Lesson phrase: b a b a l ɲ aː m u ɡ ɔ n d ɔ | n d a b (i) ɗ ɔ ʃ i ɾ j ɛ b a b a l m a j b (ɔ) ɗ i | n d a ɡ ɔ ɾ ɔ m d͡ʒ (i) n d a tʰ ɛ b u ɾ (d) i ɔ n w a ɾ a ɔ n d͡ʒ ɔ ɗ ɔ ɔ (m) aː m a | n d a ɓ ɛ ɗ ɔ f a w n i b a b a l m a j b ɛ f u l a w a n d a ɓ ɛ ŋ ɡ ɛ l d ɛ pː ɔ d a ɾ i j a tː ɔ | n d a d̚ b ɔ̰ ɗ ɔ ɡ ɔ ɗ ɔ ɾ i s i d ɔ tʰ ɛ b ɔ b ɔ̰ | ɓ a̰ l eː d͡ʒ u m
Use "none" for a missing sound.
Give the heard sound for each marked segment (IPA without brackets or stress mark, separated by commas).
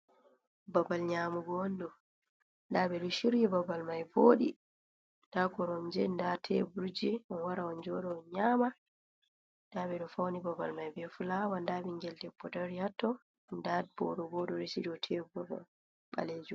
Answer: ɛ, o, ɛ, d͡ʒ, ɲ